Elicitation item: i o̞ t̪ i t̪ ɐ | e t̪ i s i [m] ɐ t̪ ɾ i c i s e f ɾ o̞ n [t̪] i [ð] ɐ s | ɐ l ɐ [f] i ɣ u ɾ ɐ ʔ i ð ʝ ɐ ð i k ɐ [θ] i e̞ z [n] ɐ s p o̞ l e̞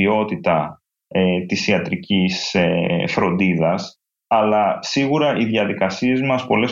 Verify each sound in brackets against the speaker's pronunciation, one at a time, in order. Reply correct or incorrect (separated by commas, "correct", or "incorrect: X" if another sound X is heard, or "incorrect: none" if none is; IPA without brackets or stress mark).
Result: incorrect: none, incorrect: d̪, correct, incorrect: s, incorrect: s, incorrect: m